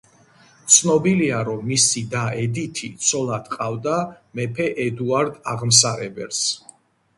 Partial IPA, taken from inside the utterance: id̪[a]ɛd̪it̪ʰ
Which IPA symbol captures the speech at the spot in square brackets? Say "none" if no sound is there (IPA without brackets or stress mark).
a